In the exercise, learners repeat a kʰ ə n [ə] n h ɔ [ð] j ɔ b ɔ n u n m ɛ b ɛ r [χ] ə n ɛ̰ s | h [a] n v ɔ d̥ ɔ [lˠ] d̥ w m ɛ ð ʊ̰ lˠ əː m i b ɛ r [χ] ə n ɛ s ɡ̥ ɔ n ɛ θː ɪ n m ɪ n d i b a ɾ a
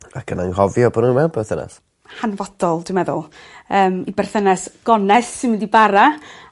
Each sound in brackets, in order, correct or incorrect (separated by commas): incorrect, incorrect, incorrect, correct, correct, incorrect